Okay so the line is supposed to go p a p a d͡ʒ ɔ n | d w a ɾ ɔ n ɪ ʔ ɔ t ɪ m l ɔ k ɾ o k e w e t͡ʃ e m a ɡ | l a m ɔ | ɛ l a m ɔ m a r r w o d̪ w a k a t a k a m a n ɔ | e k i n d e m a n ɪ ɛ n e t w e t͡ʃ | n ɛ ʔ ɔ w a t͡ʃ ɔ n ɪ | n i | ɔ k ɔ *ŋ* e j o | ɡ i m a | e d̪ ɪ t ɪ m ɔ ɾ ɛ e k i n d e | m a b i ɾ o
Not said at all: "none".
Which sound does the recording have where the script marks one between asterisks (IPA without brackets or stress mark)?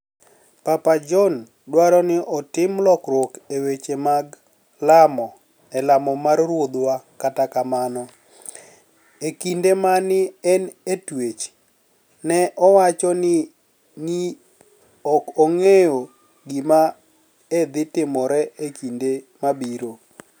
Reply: ŋ